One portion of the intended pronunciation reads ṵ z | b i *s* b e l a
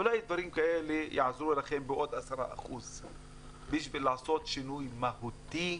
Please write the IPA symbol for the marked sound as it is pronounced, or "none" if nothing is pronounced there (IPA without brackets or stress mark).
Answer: ʃ